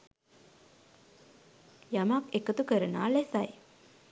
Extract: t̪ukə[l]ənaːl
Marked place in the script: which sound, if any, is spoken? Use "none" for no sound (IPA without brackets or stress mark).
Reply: ɾ